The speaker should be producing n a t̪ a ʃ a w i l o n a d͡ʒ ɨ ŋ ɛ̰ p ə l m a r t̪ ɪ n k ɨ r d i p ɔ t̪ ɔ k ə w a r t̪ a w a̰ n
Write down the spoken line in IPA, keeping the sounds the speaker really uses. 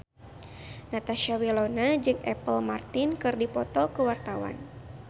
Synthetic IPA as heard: n a t̪ a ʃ a w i l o n a d͡ʒ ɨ ŋ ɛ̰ p ə l m a r t̪ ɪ n k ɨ r d i p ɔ t̪ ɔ k ə w a r t̪ a w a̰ n